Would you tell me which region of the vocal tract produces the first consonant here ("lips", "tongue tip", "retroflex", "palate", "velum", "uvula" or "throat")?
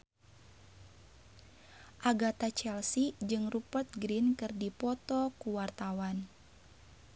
throat